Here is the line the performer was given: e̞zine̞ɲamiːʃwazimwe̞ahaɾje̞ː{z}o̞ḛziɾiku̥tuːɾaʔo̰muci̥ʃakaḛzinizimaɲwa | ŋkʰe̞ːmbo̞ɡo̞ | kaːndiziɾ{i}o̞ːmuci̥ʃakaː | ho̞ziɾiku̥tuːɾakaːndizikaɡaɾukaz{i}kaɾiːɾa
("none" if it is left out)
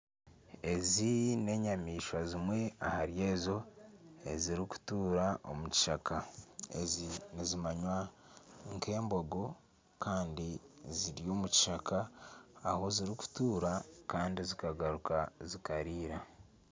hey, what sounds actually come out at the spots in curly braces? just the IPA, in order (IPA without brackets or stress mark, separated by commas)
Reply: z, j, i